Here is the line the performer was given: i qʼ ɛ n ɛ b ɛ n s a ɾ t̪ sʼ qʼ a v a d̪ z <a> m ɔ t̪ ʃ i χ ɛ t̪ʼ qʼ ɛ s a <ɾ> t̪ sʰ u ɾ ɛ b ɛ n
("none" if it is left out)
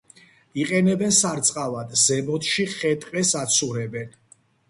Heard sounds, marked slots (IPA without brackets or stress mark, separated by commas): ɛ, none